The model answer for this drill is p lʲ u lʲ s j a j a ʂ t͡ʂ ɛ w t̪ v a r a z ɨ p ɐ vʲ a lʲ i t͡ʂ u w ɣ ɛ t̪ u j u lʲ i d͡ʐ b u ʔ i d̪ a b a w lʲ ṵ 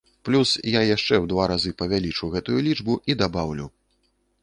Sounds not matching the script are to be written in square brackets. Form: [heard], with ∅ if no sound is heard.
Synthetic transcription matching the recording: p lʲ u [∅] s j a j a ʂ t͡ʂ ɛ w [d̪] v a [ɾ] a z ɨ p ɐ vʲ a lʲ i t͡ʂ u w ɣ ɛ t̪ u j u lʲ i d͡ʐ b u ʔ i d̪ a b a w lʲ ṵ